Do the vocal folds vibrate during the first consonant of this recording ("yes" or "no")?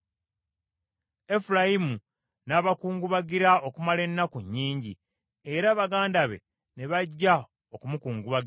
no